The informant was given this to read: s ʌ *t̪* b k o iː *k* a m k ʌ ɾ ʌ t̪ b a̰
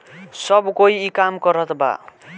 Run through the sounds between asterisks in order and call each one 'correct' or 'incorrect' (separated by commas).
incorrect, correct